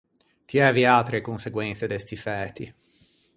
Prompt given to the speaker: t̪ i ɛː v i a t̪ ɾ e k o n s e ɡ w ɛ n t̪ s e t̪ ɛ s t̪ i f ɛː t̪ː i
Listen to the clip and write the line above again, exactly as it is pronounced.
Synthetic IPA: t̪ i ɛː v i a t̪ ɾ e k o n s e ɡ w ɛ n t̪ s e d̪ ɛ s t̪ i f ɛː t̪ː i